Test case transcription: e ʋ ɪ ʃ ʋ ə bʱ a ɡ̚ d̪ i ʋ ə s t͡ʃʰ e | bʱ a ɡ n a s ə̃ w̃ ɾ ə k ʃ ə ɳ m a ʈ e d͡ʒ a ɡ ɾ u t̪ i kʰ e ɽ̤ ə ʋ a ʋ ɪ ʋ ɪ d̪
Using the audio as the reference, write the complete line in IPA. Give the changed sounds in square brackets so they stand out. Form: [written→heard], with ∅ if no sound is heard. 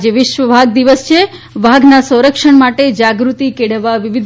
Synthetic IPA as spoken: e ʋ ɪ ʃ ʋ ə bʱ a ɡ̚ d̪ i ʋ ə s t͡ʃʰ e | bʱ a ɡ n a s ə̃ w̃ ɾ ə k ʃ ə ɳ m a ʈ e d͡ʒ a ɡ ɾ u t̪ i [kʰ→k] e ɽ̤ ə ʋ a ʋ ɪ ʋ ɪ d̪